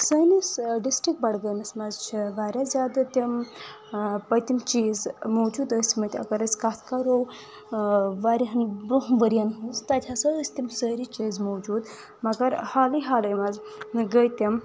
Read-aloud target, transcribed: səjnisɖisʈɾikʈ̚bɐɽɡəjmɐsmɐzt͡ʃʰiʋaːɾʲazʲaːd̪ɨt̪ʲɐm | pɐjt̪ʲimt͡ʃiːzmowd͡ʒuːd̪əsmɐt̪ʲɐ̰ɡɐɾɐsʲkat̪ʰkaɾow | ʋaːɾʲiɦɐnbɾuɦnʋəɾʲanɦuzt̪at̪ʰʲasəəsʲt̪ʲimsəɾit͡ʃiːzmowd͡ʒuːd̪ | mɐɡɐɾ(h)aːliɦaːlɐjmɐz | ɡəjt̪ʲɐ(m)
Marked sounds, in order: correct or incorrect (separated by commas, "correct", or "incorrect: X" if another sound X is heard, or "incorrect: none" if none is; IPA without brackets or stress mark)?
correct, correct